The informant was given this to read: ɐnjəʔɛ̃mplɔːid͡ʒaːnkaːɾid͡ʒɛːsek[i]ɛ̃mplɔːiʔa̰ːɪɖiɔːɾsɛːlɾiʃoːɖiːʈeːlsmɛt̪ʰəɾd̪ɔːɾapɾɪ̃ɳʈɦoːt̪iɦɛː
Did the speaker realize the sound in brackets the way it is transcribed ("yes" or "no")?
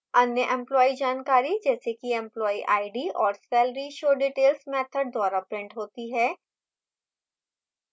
yes